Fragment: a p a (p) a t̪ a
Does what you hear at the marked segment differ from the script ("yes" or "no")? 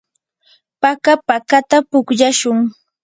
yes